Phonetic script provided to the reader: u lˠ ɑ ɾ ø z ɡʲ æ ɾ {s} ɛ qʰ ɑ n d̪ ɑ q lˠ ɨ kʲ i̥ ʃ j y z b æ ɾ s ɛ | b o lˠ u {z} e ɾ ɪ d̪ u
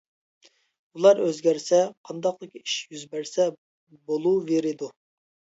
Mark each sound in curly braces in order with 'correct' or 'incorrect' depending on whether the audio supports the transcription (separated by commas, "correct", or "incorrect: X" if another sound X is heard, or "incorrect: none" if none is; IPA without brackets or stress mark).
correct, incorrect: v